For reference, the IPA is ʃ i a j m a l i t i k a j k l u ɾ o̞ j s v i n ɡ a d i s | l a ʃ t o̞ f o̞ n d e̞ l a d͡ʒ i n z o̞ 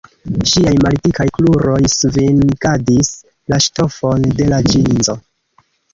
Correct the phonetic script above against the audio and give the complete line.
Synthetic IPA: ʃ i a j m a l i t i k a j k l u ɾ o̞ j s v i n ɡ a d i s | l a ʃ t o̞ f o̞ n d e̞ l a d͡ʒ i n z o̞